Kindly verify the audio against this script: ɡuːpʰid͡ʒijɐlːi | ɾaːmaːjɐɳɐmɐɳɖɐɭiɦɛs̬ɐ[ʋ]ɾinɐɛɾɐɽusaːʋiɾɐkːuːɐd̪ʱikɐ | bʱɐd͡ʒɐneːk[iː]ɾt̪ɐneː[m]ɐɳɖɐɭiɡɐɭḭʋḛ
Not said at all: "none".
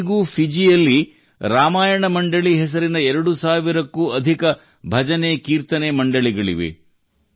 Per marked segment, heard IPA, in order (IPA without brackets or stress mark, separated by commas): none, iː, m